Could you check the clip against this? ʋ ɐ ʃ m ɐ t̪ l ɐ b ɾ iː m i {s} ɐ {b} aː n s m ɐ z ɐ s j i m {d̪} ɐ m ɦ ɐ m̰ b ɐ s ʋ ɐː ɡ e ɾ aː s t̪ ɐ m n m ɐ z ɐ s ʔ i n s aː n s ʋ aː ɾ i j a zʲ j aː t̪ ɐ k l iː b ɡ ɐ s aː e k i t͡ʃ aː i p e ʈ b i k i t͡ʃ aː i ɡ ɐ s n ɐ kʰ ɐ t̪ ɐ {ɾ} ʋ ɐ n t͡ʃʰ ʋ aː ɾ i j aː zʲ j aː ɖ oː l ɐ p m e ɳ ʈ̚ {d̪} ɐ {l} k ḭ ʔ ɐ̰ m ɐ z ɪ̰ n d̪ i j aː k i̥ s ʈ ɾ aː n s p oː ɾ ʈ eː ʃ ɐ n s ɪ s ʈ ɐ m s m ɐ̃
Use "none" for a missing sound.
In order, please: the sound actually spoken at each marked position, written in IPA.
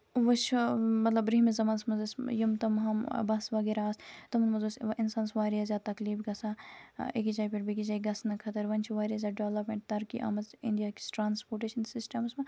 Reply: z, m, t̪, ɾ, t̪, ɾ

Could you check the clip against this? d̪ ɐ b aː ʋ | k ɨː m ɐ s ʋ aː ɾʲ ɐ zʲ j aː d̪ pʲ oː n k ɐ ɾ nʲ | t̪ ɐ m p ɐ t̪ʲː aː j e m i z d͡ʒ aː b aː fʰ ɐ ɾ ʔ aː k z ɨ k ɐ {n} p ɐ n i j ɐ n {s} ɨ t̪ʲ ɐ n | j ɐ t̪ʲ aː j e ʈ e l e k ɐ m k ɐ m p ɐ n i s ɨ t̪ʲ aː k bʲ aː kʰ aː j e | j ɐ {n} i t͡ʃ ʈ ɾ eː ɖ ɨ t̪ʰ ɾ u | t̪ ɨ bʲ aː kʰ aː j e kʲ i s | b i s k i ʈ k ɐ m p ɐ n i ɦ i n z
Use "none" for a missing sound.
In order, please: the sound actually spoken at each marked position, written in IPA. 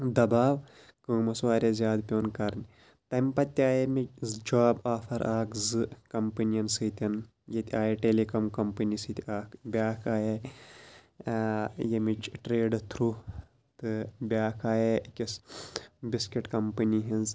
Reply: m, s, m

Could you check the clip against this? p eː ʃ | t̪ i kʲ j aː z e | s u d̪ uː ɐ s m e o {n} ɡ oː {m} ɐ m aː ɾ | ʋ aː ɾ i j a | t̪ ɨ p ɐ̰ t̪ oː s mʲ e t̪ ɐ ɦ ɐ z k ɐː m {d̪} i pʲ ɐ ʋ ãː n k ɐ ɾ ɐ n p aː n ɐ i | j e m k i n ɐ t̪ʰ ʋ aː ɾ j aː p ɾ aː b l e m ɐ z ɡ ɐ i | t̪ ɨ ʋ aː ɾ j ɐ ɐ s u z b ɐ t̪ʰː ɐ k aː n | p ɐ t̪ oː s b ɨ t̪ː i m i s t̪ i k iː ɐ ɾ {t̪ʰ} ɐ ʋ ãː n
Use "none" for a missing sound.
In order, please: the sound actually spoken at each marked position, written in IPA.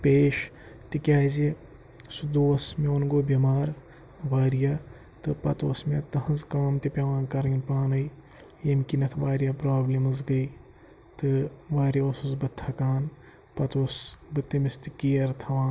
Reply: n, b, t̪, t̪ʰ

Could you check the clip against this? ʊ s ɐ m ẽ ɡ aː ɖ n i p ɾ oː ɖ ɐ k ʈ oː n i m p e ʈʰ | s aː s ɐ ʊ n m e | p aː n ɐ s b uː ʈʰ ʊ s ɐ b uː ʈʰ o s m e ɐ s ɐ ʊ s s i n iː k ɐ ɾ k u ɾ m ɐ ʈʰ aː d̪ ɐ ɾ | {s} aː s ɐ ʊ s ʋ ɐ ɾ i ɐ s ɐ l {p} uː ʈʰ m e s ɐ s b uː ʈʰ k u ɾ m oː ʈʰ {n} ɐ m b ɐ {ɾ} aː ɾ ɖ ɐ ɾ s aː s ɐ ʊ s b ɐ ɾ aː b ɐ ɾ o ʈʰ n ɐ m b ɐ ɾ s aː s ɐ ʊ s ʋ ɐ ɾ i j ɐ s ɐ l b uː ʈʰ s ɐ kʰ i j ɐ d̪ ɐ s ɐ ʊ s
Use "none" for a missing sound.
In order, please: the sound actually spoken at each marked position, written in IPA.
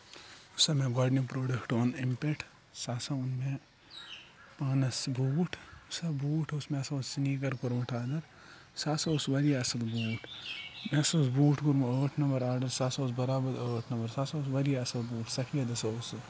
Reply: s, b, n, ɾ

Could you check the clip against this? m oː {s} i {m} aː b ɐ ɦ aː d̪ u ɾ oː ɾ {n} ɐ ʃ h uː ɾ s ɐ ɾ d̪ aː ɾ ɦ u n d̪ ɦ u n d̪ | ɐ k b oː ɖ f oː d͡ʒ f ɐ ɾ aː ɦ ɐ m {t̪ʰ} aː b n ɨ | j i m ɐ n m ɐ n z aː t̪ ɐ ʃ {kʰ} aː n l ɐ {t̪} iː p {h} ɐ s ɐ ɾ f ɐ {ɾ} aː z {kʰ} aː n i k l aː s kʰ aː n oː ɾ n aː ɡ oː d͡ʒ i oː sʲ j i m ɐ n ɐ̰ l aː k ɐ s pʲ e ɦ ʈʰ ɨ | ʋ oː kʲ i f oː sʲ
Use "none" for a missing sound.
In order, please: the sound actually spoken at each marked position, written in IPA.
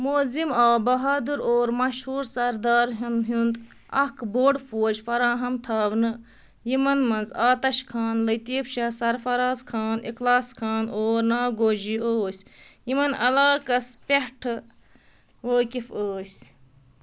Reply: z, m, m, t̪ʰ, kʰ, t̪, ʃ, ɾ, kʰ

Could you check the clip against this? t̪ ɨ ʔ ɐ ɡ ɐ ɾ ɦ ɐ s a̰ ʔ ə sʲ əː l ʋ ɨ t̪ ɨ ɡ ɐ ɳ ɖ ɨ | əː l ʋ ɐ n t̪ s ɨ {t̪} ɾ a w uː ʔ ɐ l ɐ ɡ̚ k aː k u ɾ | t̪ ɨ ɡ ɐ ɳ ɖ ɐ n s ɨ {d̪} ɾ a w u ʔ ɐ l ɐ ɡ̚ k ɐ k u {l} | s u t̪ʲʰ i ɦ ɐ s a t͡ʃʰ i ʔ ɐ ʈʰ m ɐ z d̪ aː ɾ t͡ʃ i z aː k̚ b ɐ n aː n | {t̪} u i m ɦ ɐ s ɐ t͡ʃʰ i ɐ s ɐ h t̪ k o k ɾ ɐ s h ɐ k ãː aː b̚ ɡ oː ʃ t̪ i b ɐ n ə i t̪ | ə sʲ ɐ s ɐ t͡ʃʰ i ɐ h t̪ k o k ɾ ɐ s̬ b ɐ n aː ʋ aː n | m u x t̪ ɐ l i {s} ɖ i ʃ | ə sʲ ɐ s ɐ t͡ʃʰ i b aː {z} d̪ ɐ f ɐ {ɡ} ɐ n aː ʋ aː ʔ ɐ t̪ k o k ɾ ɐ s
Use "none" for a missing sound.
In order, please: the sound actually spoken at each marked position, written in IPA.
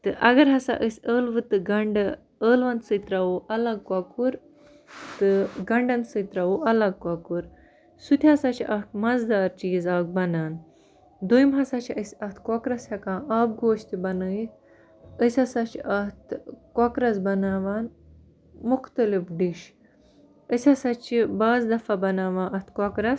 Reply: t̪, t̪, ɾ, d̪, f, z, b

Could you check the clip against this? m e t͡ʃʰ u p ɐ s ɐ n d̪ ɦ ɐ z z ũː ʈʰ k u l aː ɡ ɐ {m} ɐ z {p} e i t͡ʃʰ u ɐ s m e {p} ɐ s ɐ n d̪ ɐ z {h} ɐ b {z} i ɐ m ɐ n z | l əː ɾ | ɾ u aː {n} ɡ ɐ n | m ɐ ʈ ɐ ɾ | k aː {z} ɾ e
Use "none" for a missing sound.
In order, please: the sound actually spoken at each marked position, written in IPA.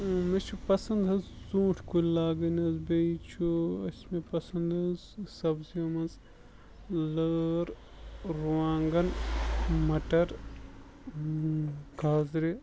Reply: n, b, p, s, z, ŋ, z

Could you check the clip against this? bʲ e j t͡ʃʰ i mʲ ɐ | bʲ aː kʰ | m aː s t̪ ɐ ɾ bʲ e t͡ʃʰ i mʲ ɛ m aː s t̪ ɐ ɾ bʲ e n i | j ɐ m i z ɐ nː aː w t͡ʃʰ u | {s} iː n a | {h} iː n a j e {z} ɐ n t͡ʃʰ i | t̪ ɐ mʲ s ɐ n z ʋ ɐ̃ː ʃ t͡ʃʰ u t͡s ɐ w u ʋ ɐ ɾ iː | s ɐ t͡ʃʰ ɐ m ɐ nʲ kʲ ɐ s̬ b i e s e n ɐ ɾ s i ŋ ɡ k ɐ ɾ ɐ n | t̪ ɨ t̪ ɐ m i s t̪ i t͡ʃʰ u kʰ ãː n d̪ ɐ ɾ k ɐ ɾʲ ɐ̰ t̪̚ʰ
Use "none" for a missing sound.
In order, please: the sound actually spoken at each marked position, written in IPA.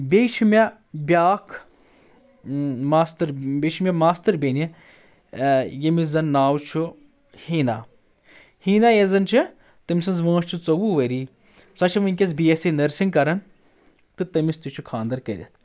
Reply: h, h, z

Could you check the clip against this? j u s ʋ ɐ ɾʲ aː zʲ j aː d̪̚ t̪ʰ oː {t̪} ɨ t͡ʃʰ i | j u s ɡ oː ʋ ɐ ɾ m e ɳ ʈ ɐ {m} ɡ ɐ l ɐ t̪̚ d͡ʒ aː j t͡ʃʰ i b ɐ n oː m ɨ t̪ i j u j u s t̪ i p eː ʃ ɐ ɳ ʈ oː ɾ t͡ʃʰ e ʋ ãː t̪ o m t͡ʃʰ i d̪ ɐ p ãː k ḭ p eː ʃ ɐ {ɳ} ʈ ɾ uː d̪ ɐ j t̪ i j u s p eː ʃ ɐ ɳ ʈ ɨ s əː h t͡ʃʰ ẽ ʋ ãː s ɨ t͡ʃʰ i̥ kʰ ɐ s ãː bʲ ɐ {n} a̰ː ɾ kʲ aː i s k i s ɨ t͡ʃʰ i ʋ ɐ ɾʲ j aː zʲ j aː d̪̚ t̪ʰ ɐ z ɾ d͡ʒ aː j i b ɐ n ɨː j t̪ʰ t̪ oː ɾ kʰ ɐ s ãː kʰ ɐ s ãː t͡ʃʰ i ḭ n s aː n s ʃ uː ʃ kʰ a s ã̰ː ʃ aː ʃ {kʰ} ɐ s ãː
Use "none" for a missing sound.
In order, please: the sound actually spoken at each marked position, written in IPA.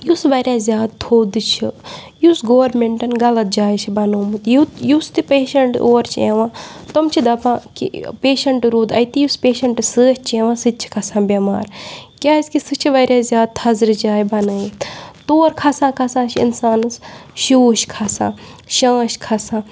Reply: d̪, n, ɳ, m, kʰ

